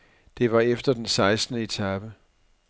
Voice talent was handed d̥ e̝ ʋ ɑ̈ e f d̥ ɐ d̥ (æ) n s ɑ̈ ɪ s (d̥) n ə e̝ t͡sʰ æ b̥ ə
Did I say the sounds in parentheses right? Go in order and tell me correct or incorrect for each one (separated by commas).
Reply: incorrect, correct